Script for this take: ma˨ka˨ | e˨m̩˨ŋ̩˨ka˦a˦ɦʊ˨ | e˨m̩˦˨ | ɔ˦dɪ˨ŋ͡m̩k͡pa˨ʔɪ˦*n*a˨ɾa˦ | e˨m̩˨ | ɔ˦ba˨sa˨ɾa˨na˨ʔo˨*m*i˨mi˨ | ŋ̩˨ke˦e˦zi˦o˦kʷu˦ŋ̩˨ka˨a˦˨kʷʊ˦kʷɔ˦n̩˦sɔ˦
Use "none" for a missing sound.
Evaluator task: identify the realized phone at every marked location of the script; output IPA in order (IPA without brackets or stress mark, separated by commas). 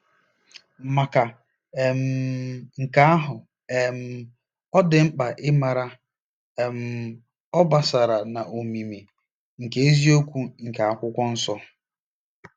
m, m